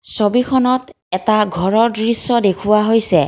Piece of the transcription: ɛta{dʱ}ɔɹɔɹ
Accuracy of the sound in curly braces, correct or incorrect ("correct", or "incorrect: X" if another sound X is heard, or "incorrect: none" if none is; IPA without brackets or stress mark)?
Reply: incorrect: ɡʱ